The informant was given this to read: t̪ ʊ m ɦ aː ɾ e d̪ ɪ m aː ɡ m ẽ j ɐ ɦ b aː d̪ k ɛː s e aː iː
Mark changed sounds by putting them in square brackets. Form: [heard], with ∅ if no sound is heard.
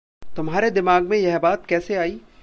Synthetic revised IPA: t̪ ʊ m ɦ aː ɾ e d̪ ɪ m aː ɡ m ẽ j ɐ ɦ b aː [t̪] k ɛː s e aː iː